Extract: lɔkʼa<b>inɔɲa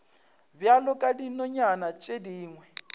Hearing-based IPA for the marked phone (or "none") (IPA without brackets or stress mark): d